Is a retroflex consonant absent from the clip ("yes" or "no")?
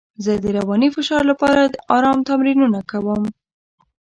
yes